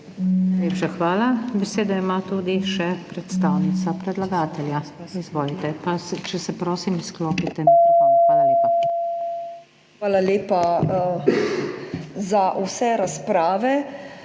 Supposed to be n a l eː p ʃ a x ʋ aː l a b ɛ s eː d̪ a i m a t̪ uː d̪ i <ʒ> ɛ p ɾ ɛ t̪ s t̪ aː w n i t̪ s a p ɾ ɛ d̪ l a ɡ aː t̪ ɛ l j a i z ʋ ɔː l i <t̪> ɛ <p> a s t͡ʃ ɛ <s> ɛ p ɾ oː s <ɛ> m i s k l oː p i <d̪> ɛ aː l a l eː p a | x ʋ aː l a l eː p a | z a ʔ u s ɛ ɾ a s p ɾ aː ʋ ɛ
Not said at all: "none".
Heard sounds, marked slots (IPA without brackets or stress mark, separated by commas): ʃ, t̪, p, s, i, t̪